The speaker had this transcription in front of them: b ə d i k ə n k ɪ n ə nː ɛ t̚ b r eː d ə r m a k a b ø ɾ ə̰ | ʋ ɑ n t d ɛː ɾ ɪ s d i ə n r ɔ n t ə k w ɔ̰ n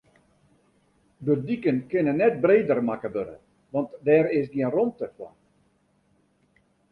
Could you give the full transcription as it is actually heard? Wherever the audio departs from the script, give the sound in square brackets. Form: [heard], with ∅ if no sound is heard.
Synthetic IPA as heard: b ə d i k ə n k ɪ n ə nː ɛ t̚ b r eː d ə r m a k [ə] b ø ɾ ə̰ | ʋ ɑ n t d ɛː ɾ ɪ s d i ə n r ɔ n t ə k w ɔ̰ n